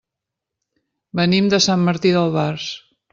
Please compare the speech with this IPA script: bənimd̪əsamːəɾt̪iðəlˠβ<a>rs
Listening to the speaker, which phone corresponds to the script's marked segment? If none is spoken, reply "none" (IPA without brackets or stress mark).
a